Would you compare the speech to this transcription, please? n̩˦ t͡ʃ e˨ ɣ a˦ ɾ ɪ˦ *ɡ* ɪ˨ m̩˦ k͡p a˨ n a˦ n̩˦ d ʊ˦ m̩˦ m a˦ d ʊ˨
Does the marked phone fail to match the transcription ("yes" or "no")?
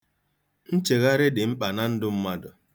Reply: yes